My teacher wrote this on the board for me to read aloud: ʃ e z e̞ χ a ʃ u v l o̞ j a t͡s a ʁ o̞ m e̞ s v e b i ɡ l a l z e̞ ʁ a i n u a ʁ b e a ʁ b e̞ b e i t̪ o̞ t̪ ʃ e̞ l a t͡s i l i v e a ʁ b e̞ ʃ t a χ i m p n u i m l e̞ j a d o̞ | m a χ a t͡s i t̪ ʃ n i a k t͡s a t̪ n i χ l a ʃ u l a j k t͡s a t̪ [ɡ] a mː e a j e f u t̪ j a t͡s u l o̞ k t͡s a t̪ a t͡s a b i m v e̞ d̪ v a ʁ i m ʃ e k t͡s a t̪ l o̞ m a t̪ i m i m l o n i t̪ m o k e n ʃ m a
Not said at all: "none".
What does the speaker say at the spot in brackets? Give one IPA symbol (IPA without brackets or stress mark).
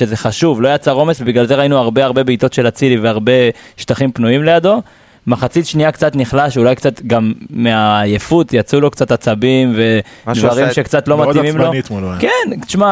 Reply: ɡ